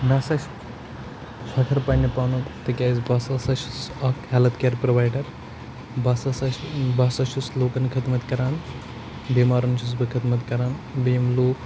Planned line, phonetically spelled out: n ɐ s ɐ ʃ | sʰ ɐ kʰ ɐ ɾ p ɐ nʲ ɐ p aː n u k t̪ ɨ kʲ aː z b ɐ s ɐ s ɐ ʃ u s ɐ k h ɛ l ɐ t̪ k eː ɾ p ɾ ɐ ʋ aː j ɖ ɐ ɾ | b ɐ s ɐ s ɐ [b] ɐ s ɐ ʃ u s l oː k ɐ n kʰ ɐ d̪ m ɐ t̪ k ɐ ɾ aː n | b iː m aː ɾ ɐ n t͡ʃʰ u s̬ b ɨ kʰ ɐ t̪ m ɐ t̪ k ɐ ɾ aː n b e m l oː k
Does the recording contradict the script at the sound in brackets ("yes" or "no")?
no